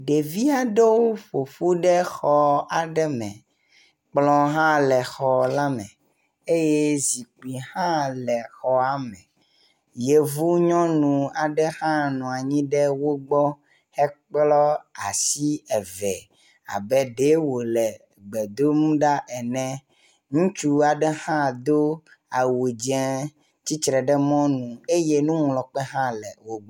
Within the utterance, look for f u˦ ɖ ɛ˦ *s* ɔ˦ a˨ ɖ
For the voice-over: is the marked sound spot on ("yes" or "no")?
no